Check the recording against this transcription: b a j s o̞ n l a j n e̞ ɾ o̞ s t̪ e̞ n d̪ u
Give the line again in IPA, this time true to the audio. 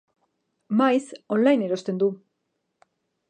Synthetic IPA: m a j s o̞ n l a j n e̞ ɾ o̞ s t̪ e̞ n d̪ u